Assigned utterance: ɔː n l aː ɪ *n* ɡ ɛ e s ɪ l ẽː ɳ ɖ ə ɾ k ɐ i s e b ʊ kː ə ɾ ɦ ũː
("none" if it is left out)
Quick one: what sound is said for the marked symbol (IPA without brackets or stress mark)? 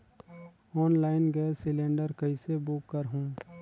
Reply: n